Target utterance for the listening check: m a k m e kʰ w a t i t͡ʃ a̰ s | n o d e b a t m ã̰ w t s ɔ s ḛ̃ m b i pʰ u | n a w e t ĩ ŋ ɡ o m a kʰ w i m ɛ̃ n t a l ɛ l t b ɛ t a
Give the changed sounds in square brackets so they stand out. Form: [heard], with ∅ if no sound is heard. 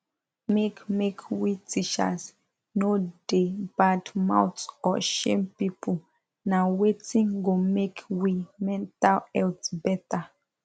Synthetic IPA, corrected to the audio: m [e] k m e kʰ w [i] t i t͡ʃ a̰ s | n o d e b a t m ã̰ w t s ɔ [ʃ] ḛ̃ m [p] i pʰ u | n a w e t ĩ ŋ ɡ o m [e] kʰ w i m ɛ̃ n t a l ɛ l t b ɛ t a